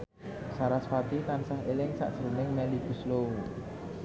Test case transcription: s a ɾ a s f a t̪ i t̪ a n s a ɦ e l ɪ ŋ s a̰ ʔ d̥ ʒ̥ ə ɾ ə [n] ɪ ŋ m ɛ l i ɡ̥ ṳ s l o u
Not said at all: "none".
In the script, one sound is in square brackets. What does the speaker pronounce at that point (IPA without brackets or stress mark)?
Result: n